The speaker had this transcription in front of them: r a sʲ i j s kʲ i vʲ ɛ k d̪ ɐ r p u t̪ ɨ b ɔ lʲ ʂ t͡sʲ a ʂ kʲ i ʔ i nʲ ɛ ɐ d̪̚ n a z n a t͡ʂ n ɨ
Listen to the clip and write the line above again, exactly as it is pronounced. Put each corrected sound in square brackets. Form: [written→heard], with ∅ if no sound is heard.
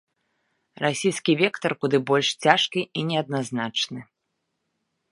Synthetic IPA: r a sʲ i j s kʲ i vʲ ɛ k [d̪→t̪] ɐ r [p→k] u [t̪→d̪] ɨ b ɔ lʲ ʂ t͡sʲ a ʂ kʲ i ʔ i nʲ ɛ ɐ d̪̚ n a z n a t͡ʂ n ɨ